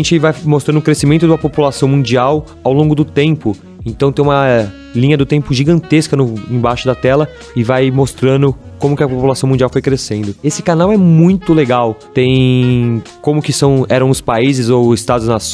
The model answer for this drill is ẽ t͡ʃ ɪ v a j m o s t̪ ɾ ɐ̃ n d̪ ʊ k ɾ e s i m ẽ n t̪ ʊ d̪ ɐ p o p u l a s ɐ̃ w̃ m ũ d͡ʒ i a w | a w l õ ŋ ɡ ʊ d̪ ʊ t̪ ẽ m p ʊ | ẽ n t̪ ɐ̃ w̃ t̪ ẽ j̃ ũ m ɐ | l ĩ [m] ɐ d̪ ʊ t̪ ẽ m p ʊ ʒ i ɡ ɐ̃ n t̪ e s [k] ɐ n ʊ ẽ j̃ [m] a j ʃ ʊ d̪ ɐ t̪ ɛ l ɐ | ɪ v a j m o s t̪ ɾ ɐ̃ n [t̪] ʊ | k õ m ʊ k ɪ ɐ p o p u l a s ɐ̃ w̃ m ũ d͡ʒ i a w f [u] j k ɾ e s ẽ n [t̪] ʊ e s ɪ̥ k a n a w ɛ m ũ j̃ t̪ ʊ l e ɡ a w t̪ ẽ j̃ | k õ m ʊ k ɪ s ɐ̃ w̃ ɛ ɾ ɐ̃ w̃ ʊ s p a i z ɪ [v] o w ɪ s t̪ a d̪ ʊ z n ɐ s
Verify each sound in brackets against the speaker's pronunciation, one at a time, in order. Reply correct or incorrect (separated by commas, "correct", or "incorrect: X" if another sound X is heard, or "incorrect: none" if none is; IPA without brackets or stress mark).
incorrect: ɲ, correct, incorrect: b, incorrect: d̪, incorrect: o, incorrect: d̪, incorrect: z